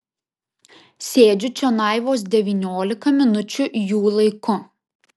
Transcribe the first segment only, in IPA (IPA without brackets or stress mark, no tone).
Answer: sʲ